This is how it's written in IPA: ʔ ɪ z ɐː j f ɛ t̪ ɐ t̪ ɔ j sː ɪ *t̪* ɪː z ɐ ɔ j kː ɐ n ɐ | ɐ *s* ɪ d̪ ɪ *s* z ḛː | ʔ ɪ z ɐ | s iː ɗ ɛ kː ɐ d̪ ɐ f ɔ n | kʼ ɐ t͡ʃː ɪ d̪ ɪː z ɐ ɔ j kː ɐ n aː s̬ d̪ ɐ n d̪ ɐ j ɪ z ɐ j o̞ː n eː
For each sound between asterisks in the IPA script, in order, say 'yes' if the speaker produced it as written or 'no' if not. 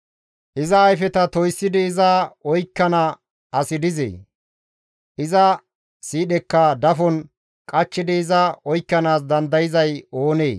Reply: no, yes, no

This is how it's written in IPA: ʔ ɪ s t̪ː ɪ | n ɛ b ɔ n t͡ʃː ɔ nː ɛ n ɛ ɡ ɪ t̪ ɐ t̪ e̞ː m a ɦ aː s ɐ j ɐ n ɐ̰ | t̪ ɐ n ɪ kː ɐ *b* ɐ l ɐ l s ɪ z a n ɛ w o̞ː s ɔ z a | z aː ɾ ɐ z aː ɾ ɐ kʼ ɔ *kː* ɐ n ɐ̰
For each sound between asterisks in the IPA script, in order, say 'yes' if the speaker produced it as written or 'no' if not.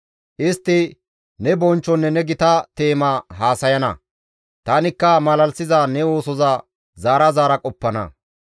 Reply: no, no

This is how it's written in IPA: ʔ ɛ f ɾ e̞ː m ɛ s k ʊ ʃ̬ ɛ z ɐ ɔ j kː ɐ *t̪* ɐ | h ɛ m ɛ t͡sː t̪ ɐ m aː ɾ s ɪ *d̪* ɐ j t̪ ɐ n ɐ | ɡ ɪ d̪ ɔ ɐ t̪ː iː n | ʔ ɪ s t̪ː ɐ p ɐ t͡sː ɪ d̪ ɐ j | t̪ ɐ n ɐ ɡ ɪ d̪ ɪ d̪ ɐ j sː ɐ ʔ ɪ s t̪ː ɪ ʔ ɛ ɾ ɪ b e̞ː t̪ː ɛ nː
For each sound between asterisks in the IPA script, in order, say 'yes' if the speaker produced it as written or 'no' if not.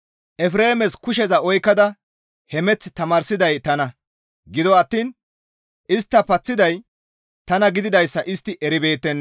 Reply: no, yes

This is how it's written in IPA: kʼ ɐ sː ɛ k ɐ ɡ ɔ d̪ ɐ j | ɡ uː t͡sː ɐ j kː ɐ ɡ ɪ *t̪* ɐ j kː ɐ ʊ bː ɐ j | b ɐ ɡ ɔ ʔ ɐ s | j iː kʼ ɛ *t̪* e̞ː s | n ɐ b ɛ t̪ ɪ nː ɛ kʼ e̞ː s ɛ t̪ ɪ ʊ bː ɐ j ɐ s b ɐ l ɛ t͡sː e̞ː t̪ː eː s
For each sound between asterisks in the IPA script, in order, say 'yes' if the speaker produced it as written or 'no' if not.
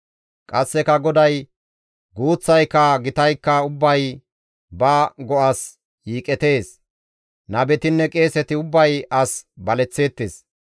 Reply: yes, yes

